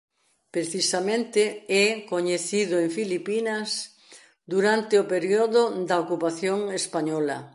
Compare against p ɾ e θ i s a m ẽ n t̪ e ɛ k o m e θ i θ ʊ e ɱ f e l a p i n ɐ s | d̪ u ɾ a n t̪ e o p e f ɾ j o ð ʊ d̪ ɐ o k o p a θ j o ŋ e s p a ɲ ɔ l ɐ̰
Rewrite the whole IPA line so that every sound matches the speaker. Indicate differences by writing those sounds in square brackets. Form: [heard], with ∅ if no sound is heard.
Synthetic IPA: p ɾ e θ i s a m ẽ n t̪ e ɛ k o [ɲ] e θ i [ð] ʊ e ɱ f [i] l [i] p i n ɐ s | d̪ u ɾ a n t̪ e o p e [∅] ɾ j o ð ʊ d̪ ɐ o k [u] p a θ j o ŋ e s p a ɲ ɔ l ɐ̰